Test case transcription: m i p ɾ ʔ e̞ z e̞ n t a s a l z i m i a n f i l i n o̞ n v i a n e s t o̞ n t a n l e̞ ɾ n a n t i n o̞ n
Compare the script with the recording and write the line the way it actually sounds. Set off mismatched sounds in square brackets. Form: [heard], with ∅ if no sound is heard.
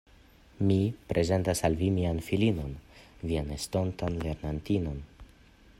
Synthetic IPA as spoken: m i p ɾ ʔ e̞ z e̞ n t a s a l [v] i m i a n f i l i n o̞ n v i a n e s t o̞ n t a n l e̞ ɾ n a n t i n o̞ n